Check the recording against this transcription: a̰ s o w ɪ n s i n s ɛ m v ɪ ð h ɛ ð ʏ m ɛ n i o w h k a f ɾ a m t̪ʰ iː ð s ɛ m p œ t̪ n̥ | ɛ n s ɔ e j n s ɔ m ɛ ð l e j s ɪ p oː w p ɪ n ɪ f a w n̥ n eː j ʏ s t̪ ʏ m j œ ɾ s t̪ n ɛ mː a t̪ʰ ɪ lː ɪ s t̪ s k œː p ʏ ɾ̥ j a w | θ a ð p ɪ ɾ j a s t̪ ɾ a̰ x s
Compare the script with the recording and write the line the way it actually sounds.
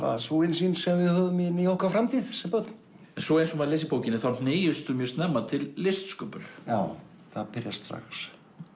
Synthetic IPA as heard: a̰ s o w ɪ n s i n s ɛ m v ɪ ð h œ ð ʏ m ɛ n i o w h k a f ɾ a m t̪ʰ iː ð s ɛ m p œ t̪ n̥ | ɛ n s ɔ e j n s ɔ m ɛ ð l e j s ɪ p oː w c ɪ n ɪ θ a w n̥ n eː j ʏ s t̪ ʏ m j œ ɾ s t̪ n ɛ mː a t̪ʰ ɪ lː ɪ s t̪ s k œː p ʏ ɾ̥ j a w | θ a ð p ɪ ɾ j a s t̪ ɾ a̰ x s

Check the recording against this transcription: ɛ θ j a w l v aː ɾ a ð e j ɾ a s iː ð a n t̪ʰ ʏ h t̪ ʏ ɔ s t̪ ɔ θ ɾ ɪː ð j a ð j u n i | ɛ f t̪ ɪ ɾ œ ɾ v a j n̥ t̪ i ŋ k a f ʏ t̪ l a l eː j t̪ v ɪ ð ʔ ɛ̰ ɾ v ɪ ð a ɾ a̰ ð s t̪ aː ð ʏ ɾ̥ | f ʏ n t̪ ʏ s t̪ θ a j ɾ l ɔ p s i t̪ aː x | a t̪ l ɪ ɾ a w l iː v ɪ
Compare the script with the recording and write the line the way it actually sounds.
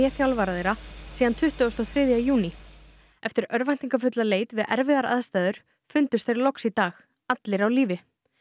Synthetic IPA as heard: ɛ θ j a w l v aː ɾ a ð e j ɾ a s iː ð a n t̪ʰ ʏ h t̪ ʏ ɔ s t̪ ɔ θ ɾ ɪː ð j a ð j uː n i | ɛ f t̪ ɪ ɾ œ ɾ v a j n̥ t̪ i ŋ k a f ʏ t̪ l a l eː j t̪ v ɪ ð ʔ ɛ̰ ɾ v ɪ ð a ɾ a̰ ð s t̪ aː ð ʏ ɾ̥ | f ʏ n t̪ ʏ s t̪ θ e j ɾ l ɔ k s i t̪ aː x | a t̪ l ɪ ɾ a w l iː v ɪ

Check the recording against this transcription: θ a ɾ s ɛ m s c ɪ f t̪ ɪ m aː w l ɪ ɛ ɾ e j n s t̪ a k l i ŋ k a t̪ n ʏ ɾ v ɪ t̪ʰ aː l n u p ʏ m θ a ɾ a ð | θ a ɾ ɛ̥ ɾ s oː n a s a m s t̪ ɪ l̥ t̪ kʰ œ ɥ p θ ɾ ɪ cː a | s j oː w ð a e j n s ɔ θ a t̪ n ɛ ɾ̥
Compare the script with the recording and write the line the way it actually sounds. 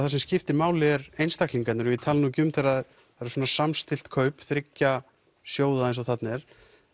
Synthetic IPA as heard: θ a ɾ s ɛ m s c ɪ f t̪ ɪ m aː w l ɪ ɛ ɾ e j n s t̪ a k l i ŋ k a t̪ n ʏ ɾ v ɪ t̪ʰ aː l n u c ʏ m θ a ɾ a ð | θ a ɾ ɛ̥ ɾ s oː n a s a m s t̪ ɪ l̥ t̪ kʰ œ ɥ p θ ɾ ɪ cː a | s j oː w ð a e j n s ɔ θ a t̪ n ɛ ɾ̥

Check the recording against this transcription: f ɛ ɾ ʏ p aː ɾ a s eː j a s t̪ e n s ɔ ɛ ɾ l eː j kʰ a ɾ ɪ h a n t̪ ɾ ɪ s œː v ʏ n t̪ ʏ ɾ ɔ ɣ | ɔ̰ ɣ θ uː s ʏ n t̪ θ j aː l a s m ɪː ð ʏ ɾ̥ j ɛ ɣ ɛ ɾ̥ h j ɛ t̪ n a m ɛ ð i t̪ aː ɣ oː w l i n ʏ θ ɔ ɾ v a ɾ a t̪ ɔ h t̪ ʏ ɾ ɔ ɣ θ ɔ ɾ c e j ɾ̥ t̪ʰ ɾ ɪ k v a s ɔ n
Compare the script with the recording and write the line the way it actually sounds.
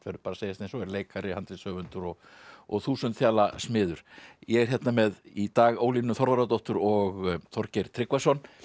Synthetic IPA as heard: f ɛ ɾ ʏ p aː ɾ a s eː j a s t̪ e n s ɔ ɛ ɾ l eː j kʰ a ɾ ɪ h a n t̪ ɾ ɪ s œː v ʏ n t̪ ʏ ɾ ɔ ɣ | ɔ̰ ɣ θ uː s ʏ n t̪ θ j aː l a s m ɪː ð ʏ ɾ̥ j ɛ ɣ ɛ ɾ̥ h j ɛ t̪ n a m ɛ ð i t̪ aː ɣ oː w l i n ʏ θ ɔ ɾ v a ɾ a t̪ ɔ h t̪ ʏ ɾ ɔ ɣ θ ɔ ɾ c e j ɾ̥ t̪ʰ ɾ ɪ k v a s ɔ n

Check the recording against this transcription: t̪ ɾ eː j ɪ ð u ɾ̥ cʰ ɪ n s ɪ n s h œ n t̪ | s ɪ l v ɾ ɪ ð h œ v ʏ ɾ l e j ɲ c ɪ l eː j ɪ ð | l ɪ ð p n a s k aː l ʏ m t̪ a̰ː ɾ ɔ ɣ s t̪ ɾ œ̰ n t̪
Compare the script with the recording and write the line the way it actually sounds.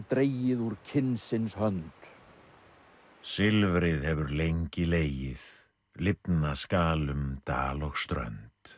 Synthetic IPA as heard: t̪ ɾ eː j ɪ ð u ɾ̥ cʰ ɪ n s ɪ n s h œ n t̪ | s ɪ l v ɾ ɪ ð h ɛ v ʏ ɾ l e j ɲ c ɪ l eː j ɪ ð | l ɪ p n a s k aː l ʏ m t̪ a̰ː l ɔ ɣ s t̪ ɾ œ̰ n t̪

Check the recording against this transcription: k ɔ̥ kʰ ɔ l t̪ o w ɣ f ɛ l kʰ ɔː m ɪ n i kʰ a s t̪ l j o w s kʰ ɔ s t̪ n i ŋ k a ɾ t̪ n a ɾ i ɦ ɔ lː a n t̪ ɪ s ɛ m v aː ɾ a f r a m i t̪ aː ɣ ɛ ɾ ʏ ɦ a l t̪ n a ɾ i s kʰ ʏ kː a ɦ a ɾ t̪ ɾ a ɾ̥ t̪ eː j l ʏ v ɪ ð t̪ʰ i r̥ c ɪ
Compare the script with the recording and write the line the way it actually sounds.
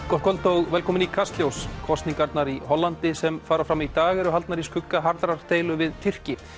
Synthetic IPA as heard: k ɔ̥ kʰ ɔ l t̪ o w ɣ v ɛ l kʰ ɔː m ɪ n i kʰ a s t̪ l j o w s kʰ ɔ s t̪ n i ŋ k a ɾ t̪ n a ɾ i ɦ ɔ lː a n t̪ ɪ s ɛ m f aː ɾ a f ɾ a m i t̪ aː ɣ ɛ ɾ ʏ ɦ a l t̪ n a ɾ i s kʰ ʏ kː a ɦ a ɾ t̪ ɾ a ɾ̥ t̪ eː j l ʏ v ɪ ð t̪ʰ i r̥ c ɪ

